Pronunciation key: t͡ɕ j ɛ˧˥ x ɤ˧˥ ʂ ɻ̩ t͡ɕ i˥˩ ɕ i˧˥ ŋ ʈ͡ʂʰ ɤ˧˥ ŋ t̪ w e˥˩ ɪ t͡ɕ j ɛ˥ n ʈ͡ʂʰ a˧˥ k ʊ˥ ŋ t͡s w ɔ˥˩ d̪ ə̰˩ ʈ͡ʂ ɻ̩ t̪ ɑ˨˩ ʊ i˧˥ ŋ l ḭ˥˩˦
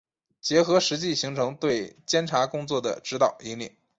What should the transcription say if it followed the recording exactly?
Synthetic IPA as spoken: t͡ɕ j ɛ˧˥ x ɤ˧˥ ʂ ɻ̩ t͡ɕ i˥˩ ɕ i˧˥ ŋ ʈ͡ʂʰ ɤ˧˥ ŋ t̪ w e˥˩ ɪ t͡ɕ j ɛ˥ n ʈ͡ʂʰ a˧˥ k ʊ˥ ŋ t͡s w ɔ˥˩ d̪ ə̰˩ ʈ͡ʂ ɻ̩ t̪ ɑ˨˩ ʊ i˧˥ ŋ l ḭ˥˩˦